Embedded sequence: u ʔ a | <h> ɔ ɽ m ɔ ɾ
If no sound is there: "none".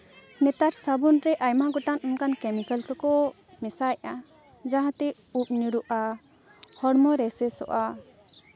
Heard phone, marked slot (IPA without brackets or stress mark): h